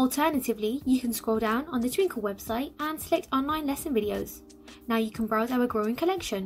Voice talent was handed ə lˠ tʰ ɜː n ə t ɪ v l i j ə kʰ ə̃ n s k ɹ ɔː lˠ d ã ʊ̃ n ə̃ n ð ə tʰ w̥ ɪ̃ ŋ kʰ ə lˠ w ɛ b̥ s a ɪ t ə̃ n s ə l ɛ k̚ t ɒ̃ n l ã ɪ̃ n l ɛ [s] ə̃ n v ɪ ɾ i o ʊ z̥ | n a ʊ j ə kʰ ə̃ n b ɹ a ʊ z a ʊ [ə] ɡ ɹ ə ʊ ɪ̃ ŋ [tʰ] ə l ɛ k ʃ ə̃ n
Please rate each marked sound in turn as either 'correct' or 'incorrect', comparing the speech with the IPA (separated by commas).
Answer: correct, correct, incorrect